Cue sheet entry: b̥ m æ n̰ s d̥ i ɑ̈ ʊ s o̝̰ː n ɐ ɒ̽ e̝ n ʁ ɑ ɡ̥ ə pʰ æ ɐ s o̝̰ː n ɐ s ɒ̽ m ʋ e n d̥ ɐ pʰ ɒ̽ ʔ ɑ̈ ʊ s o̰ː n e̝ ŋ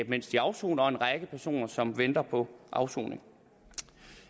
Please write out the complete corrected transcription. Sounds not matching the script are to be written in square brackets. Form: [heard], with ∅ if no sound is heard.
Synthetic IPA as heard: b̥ m [e] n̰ s d̥ i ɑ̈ ʊ s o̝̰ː n ɐ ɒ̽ e̝ n ʁ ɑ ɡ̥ ə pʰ æ ɐ s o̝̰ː n ɐ s ɒ̽ m ʋ e n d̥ ɐ pʰ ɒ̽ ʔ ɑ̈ ʊ s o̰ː n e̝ ŋ